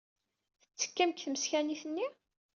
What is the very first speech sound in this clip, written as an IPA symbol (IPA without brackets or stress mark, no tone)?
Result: θ